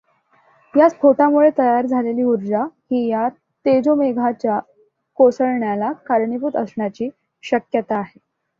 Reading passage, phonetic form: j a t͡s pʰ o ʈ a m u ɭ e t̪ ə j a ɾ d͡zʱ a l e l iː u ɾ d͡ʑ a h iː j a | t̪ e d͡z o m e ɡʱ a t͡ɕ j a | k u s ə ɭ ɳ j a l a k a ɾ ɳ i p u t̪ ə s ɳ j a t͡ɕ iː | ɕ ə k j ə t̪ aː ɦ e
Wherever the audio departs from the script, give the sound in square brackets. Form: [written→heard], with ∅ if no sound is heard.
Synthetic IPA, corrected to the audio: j a t͡s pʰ o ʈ a m u ɭ e t̪ ə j a ɾ d͡zʱ a l e l iː u ɾ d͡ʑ a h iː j a | t̪ e d͡z o m e ɡʱ a t͡ɕ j a | k [u→o] s ə ɭ ɳ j a l a k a ɾ ɳ i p u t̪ ə s ɳ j a t͡ɕ iː | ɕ ə k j ə t̪ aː ɦ e